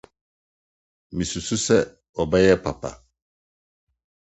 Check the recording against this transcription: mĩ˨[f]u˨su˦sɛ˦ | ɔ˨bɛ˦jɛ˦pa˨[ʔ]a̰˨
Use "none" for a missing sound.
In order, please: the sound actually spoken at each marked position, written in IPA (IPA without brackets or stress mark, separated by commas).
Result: s, p